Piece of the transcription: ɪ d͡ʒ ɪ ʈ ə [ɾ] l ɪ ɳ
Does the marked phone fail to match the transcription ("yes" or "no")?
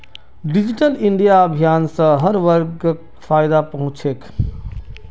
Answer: yes